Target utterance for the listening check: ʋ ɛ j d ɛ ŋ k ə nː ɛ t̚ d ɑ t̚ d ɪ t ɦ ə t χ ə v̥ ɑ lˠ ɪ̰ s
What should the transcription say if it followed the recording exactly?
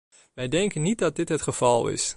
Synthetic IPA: ʋ ɛ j d ɛ ŋ k ə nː i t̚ d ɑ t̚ d ɪ t ɦ ə t χ ə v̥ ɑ lˠ ɪ̰ s